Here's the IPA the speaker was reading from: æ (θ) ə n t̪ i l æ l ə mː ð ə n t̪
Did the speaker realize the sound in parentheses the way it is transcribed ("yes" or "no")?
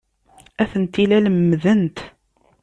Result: yes